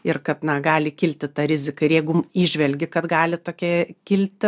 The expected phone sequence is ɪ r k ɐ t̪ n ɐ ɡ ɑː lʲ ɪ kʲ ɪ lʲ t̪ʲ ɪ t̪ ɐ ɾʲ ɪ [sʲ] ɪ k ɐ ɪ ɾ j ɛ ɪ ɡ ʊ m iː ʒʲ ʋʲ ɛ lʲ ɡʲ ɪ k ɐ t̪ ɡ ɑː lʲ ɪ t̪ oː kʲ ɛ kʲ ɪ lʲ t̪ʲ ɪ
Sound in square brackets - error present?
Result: yes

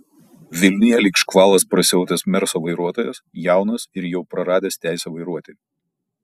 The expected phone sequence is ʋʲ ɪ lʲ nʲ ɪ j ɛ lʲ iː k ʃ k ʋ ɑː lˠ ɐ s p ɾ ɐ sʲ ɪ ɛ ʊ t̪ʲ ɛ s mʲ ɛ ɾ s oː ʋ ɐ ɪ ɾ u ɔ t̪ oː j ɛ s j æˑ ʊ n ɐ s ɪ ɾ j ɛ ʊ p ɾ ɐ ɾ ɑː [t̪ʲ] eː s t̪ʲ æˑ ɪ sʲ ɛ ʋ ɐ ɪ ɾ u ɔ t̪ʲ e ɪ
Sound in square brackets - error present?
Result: yes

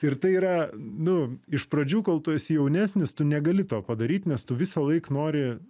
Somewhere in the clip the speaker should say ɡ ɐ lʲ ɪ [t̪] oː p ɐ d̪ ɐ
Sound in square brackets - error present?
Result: no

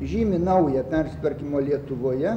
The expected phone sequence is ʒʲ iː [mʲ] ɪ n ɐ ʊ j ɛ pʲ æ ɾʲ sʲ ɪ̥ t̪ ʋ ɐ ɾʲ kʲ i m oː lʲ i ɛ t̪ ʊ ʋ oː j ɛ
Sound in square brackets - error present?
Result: no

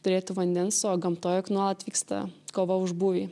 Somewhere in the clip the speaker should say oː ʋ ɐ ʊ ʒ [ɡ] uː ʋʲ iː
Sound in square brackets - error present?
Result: yes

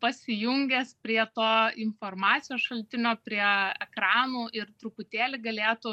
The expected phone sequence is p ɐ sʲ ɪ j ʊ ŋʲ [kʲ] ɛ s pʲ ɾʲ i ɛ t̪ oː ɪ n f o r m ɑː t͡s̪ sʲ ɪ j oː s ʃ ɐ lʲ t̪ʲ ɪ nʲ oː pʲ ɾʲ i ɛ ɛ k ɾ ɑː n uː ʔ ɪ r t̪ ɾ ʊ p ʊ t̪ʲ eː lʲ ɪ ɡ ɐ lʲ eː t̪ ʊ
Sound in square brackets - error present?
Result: yes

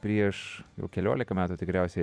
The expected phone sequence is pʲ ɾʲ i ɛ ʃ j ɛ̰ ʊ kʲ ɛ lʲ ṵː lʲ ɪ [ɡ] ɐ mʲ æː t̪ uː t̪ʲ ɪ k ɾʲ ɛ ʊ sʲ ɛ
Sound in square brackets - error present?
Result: yes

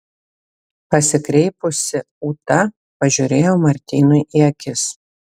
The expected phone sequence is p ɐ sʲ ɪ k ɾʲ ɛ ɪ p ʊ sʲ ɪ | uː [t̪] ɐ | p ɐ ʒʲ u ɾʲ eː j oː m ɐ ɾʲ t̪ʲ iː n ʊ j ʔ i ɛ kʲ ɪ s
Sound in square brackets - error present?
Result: no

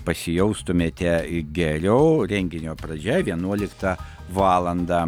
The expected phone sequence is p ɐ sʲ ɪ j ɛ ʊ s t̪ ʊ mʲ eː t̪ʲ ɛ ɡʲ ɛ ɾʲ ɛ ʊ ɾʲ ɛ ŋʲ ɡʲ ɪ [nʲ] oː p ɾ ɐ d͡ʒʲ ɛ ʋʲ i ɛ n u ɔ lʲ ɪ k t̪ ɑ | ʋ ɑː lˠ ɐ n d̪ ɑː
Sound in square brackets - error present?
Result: no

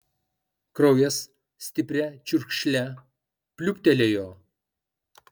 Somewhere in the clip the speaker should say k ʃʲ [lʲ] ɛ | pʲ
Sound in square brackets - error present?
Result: no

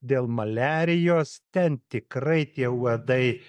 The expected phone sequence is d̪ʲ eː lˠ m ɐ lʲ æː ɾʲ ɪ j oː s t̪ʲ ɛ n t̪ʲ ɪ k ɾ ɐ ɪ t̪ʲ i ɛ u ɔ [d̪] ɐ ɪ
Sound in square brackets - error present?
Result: no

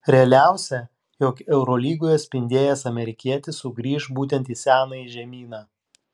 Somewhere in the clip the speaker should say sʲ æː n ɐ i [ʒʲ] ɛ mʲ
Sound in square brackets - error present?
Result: no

